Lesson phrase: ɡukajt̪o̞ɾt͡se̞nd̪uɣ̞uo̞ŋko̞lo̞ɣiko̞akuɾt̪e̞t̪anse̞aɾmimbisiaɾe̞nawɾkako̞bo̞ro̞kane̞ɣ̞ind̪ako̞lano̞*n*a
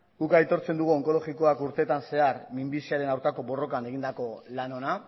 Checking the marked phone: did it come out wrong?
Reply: no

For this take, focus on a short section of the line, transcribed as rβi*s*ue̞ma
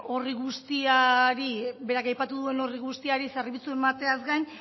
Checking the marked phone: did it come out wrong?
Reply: yes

